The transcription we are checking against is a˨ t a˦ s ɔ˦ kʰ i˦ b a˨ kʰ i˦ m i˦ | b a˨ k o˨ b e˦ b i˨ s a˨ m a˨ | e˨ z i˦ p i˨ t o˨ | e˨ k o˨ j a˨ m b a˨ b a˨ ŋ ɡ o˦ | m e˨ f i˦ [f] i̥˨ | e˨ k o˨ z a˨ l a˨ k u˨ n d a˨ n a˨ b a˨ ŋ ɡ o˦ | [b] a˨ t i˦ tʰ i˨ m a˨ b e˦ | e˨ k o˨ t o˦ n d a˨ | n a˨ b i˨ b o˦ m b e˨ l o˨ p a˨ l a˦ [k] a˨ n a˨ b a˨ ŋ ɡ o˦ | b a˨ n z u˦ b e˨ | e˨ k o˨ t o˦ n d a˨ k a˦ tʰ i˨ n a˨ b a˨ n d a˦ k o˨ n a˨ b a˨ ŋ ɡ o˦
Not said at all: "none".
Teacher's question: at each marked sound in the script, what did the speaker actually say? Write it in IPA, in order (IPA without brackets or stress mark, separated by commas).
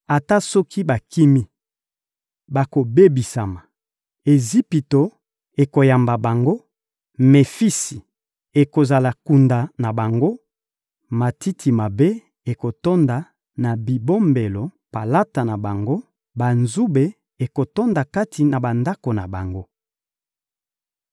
s, m, t